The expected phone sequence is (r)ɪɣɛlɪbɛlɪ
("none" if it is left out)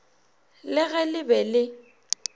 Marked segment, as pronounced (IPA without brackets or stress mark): l